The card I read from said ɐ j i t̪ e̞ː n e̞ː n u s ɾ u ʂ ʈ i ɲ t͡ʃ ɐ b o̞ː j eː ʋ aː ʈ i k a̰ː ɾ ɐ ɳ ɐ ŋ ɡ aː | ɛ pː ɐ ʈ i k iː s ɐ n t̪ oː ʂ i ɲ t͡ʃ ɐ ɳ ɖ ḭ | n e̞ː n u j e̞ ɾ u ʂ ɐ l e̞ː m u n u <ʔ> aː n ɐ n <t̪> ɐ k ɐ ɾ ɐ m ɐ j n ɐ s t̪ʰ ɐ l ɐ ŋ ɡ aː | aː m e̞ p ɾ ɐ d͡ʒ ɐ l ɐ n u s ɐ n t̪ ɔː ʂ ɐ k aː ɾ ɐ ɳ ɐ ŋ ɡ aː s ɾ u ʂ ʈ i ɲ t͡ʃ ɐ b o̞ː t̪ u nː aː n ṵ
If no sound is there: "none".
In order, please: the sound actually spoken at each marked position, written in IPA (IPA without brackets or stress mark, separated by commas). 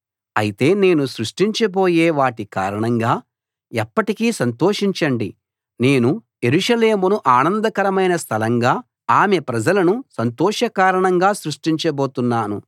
ʔ, d̪